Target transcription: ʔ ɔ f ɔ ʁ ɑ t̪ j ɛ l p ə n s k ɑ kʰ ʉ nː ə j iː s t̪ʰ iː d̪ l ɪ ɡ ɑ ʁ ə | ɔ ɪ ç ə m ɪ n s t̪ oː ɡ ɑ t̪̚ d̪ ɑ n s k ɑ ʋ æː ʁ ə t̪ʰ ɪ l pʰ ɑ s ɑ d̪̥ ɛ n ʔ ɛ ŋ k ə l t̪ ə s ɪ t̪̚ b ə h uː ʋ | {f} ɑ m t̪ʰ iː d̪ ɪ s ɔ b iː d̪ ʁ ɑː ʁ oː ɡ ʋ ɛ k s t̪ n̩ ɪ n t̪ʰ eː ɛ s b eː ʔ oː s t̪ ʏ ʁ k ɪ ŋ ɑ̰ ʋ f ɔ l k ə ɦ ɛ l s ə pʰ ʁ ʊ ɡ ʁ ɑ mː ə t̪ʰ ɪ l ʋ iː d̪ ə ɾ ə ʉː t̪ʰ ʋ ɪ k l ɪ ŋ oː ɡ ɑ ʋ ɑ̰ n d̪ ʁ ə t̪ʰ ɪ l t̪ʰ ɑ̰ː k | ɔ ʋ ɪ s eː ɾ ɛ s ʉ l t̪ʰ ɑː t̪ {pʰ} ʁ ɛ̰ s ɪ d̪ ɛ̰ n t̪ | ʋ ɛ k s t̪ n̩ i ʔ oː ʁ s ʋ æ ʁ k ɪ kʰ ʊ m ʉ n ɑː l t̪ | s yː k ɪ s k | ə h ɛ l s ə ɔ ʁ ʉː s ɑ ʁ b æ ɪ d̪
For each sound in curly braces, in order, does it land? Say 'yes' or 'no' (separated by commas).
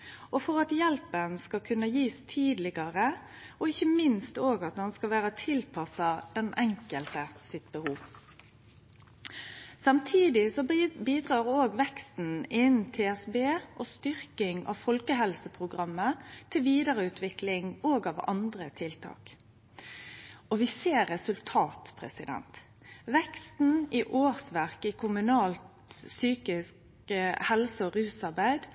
no, yes